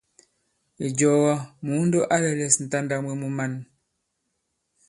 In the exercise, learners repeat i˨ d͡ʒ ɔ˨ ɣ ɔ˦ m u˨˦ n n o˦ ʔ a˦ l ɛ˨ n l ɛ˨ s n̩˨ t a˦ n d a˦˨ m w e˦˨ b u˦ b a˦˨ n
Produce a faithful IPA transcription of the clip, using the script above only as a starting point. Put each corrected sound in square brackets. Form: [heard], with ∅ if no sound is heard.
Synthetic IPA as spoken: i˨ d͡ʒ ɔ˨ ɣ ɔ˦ m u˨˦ n [d] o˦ ʔ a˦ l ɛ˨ [∅] l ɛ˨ s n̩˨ t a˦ n d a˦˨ m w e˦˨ [m] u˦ [m] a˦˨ n